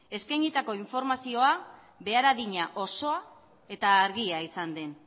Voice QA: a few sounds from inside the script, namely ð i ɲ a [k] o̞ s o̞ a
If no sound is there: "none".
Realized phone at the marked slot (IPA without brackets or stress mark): ʔ